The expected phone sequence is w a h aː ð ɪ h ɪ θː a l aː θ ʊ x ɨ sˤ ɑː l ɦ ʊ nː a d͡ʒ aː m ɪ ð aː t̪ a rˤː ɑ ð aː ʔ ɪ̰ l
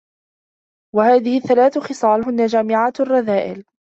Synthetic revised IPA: w a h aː ð ɪ h ɪ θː a l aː θ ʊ x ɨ sˤ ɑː l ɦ ʊ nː a d͡ʒ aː m ɪ ʕ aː t̪ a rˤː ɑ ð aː ʔ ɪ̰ l